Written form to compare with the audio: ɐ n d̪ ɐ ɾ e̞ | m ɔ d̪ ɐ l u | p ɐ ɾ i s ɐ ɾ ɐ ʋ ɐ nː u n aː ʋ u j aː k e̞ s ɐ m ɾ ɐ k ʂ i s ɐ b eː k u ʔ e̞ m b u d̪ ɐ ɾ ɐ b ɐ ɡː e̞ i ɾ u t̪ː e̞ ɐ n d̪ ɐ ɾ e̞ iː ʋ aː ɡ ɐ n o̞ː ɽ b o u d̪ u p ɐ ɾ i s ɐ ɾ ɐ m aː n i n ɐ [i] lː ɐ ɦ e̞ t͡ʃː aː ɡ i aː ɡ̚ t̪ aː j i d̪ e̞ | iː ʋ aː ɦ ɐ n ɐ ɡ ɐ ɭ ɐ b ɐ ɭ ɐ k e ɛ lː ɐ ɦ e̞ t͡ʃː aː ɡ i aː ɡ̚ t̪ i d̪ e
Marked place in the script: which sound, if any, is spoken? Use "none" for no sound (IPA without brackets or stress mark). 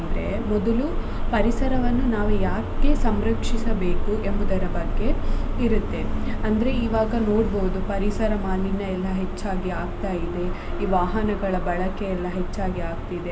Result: ɛ